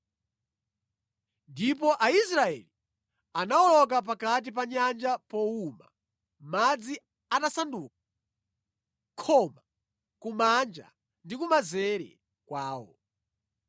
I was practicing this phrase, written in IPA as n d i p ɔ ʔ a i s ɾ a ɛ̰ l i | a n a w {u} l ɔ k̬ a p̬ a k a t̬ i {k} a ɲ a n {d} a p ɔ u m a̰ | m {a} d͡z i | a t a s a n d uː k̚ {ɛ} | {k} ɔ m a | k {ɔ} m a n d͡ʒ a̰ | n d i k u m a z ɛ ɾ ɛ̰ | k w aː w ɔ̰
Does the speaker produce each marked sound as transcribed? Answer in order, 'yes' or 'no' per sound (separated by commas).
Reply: no, no, no, yes, no, no, no